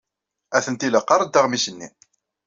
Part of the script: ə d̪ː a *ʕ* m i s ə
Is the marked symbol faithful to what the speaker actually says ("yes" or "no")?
no